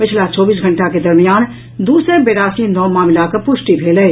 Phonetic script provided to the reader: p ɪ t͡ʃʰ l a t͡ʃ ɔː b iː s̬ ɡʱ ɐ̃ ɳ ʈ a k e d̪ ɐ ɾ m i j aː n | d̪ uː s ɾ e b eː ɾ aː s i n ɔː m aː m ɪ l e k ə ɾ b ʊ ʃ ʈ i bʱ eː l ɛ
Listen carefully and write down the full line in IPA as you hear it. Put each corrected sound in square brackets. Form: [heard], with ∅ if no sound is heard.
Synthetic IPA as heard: p ɪ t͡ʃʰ l a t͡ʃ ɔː b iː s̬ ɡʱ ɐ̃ ɳ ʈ a k e d̪ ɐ ɾ m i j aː n | d̪ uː s ɾ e b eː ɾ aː s i n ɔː m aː m ɪ l [a] k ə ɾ [p] ʊ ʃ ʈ i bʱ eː l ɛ